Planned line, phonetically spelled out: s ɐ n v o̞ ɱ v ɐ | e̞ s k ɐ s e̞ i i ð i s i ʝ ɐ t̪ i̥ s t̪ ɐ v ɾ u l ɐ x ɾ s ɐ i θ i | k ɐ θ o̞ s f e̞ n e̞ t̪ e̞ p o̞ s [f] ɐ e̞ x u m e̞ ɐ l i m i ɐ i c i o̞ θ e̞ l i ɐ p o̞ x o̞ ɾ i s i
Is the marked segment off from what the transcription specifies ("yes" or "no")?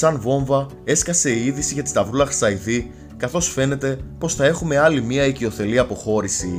yes